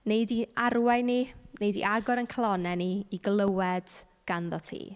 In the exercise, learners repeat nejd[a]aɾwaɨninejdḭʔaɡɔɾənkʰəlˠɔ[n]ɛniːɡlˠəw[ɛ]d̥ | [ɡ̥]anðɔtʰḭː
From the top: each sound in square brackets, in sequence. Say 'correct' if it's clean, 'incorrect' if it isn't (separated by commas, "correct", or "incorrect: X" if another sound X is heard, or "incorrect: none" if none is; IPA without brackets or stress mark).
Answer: incorrect: i, correct, correct, correct